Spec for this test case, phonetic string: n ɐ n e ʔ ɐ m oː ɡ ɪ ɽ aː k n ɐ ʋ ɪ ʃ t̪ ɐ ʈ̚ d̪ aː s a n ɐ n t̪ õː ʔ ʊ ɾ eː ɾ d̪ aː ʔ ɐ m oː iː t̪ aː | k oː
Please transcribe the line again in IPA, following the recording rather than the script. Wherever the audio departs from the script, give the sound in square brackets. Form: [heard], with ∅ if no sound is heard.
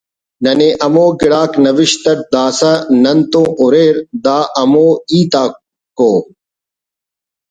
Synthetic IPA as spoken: n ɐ n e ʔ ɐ m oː ɡ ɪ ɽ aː k n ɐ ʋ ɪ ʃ t̪ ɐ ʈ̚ d̪ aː s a n ɐ n t̪ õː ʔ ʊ ɾ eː ɾ d̪ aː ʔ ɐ m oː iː t̪ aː | k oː

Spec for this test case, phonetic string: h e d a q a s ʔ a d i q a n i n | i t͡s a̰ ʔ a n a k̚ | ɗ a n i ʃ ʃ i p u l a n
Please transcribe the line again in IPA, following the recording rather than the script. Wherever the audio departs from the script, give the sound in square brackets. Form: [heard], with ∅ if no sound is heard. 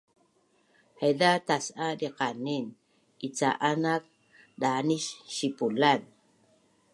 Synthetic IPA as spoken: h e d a [t] a s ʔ a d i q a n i n | i t͡s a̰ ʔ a n a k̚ | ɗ a n i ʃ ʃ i p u l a n

